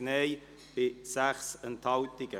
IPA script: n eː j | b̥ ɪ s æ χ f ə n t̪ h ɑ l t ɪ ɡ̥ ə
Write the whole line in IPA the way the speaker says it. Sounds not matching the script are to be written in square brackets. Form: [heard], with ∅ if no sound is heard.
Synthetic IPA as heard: n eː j | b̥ ɪ s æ χ [s] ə n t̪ h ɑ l t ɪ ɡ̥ ə